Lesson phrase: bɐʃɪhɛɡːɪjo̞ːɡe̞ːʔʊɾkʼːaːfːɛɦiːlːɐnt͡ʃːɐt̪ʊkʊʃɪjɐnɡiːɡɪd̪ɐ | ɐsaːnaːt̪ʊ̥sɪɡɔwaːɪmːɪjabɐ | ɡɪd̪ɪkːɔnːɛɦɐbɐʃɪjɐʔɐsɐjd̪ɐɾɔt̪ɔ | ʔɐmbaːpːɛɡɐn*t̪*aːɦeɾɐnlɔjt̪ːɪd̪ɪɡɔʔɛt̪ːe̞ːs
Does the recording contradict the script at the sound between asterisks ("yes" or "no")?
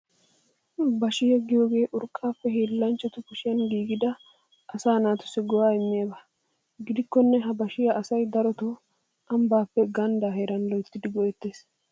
yes